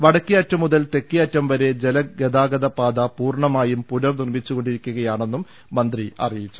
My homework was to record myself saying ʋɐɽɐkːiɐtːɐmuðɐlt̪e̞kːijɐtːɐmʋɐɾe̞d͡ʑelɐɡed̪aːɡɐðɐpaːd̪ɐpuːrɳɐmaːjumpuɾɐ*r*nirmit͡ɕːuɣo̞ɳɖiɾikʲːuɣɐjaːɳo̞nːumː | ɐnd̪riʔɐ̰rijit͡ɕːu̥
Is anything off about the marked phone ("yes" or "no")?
no